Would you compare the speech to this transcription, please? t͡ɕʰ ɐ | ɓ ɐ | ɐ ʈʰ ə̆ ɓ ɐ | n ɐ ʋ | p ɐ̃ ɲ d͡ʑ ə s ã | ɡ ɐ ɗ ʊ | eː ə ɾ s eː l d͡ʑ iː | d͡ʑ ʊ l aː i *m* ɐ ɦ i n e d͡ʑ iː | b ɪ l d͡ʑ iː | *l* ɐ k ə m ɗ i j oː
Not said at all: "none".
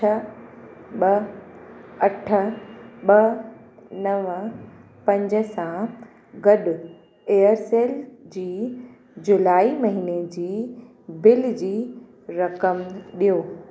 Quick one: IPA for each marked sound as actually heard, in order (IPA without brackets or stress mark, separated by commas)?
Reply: m, ɾ